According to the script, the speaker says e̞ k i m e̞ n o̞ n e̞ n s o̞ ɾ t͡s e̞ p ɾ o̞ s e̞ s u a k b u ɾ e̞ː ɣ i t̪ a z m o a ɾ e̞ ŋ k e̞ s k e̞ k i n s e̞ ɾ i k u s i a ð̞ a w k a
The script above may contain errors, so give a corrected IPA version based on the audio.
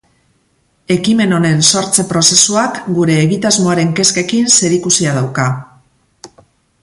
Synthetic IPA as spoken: e̞ k i m e̞ n o̞ n e̞ n s o̞ ɾ t͡s e̞ p ɾ o̞ s e̞ s u a k ɡ u ɾ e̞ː ɣ i t̪ a z m o a ɾ e̞ ŋ k e̞ s k e̞ k i n s e̞ ɾ i k u s i a ð̞ a w k a